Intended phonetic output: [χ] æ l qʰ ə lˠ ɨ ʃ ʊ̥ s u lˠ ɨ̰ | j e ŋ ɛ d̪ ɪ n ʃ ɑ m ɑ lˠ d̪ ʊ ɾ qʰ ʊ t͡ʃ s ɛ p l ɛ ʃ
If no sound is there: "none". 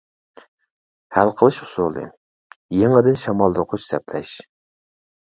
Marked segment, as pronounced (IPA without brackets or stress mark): h